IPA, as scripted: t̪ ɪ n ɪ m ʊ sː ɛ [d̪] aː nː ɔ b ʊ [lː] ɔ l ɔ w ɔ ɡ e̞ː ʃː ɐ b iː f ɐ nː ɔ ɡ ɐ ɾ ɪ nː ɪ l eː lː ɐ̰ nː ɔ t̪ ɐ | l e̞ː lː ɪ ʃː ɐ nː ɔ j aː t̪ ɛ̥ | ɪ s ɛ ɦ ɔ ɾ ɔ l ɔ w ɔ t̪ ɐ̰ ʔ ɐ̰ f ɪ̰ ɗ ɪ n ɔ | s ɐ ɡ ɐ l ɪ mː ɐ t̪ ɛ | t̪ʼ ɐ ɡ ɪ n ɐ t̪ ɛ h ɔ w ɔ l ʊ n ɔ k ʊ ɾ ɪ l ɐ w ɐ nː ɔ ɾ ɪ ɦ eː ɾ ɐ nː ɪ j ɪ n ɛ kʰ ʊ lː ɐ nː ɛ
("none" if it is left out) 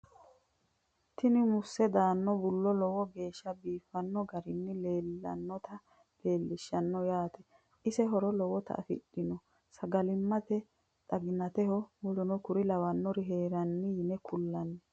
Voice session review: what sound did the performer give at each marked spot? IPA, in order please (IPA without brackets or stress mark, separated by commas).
d̪, lː